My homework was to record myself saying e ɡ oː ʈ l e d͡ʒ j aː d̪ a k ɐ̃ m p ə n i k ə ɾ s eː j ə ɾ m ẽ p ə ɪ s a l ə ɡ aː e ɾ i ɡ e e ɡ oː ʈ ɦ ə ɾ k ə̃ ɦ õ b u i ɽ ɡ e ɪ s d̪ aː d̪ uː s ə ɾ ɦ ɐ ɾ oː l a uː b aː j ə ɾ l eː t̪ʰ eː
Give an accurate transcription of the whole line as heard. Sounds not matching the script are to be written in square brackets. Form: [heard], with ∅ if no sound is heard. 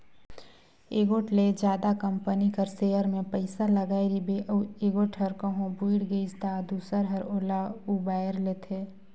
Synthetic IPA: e ɡ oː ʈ l e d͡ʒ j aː d̪ a k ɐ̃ m p ə n i k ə ɾ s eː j ə ɾ m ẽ p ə ɪ s a l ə ɡ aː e ɾ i [b] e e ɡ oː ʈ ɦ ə ɾ k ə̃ ɦ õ b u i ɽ ɡ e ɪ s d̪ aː d̪ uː s ə ɾ ɦ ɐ ɾ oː l a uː b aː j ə ɾ l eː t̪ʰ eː